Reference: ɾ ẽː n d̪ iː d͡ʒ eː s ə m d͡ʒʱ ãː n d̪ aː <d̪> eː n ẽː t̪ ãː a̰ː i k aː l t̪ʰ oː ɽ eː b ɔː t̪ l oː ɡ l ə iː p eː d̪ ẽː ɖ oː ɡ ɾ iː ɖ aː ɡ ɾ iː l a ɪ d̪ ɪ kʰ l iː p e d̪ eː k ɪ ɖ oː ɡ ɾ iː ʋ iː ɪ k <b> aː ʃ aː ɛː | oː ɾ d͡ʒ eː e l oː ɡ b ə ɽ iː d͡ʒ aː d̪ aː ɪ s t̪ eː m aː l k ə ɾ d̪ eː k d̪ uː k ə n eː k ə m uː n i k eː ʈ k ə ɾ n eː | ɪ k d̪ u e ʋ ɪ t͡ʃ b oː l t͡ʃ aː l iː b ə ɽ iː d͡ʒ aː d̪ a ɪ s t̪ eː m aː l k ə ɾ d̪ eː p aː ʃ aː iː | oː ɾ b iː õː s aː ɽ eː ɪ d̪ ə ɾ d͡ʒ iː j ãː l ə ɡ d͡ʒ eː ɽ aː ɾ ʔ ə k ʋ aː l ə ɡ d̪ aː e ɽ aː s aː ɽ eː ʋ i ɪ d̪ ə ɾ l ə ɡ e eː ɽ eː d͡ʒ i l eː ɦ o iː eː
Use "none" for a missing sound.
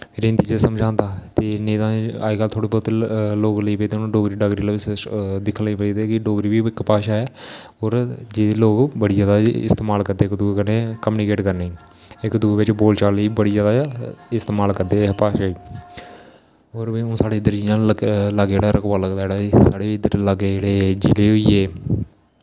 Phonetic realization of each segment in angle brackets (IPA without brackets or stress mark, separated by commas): t̪, p